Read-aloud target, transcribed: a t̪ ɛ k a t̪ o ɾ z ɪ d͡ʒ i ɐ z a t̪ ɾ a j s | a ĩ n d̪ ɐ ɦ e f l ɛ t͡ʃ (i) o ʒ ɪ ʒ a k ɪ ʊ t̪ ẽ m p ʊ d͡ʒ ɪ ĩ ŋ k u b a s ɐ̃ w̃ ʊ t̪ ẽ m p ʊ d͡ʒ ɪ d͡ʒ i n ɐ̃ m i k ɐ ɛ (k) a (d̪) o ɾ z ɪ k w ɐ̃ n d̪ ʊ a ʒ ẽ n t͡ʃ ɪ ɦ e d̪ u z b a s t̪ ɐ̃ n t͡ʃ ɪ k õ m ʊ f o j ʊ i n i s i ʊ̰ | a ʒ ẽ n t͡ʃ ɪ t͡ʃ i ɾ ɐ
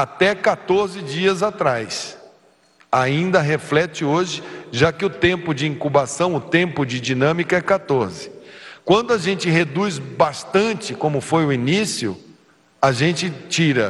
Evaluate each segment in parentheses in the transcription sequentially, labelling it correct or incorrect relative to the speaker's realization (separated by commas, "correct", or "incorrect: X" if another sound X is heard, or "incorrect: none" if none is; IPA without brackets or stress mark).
incorrect: ɪ, correct, incorrect: t̪